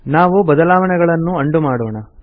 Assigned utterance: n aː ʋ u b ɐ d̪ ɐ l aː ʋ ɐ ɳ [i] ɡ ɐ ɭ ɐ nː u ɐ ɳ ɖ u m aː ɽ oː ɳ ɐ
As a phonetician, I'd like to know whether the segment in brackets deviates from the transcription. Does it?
yes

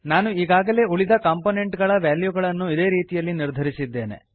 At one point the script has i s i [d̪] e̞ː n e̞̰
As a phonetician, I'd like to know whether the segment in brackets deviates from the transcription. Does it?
yes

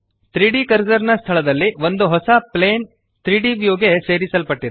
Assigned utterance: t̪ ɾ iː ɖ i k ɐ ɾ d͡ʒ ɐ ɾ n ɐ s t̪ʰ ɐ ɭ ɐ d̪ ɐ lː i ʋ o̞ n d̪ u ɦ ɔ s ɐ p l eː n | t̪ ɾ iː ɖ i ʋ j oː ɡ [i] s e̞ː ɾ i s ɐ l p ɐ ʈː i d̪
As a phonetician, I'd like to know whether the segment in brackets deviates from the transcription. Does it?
yes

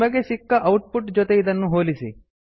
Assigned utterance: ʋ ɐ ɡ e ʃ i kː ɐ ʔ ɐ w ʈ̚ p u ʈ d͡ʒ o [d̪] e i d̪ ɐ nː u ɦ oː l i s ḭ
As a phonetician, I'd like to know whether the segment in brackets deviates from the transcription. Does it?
yes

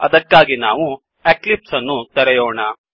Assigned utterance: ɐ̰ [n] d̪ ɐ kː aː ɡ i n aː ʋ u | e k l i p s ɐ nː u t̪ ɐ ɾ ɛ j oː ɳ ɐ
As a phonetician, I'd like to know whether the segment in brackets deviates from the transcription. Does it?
yes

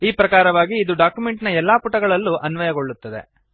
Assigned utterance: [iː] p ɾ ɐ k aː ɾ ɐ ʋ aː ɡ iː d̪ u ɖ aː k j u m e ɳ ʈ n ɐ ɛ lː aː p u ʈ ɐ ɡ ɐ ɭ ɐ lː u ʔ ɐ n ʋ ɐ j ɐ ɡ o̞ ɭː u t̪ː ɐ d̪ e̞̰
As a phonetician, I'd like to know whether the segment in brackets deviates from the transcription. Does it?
no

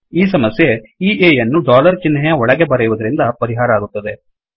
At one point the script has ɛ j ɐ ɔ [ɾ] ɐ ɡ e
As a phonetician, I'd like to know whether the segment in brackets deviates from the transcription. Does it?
yes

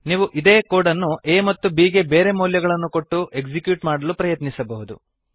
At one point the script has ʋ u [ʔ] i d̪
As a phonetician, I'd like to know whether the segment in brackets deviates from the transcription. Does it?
no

